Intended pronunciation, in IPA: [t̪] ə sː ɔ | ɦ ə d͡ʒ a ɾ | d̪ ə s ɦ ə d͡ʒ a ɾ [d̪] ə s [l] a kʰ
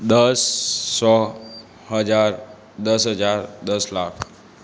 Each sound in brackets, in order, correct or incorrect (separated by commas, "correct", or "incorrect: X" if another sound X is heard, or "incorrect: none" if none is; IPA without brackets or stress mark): incorrect: d̪, correct, correct